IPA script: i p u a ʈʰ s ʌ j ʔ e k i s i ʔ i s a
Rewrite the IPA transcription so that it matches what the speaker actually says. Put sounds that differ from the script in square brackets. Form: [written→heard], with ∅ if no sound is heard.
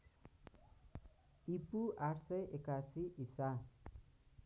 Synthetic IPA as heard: i p u a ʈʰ s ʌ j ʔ e k [i→a] s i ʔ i s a